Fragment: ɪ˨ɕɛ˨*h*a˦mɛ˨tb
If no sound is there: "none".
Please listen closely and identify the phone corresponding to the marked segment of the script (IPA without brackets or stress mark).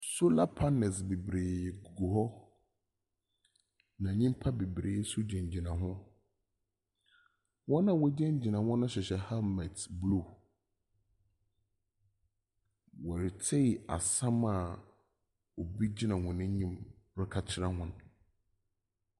h